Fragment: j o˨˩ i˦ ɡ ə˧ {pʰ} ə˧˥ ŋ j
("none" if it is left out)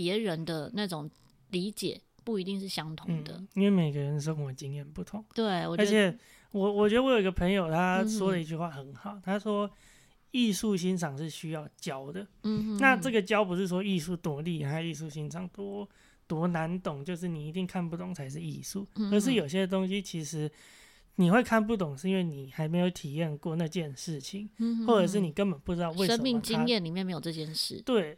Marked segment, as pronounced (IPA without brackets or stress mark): pʰ